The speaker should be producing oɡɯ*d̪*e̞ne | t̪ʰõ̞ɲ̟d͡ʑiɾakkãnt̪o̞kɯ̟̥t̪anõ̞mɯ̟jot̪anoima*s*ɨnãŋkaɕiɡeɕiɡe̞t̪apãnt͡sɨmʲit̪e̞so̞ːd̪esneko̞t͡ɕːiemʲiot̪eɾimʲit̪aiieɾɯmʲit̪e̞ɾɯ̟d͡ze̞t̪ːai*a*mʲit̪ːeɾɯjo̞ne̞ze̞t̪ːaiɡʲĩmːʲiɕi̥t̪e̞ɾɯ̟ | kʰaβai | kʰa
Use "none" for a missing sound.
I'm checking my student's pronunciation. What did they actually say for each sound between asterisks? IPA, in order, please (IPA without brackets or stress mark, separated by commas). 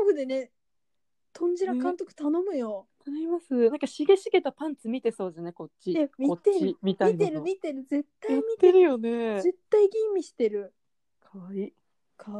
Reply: d̪, s, i